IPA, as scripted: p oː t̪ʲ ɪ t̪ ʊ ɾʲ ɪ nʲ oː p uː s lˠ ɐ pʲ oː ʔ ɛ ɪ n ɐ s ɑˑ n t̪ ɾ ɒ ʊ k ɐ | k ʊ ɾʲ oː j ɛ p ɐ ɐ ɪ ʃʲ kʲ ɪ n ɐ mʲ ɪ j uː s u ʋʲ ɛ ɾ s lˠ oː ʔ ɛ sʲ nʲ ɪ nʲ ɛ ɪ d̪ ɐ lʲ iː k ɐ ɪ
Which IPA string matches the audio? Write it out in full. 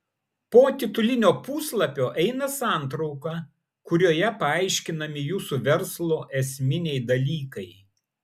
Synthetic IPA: p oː t̪ʲ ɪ t̪ ʊ lʲ ɪ nʲ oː p uː s lˠ ɐ pʲ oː ʔ ɛ ɪ n ɐ s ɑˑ n t̪ ɾ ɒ ʊ k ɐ | k ʊ ɾʲ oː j ɛ p ɐ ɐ ɪ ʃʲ kʲ ɪ n ɐ mʲ ɪ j uː s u ʋʲ ɛ ɾ s lˠ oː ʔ ɛ sʲ mʲ ɪ nʲ ɛ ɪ d̪ ɐ lʲ iː k ɐ ɪ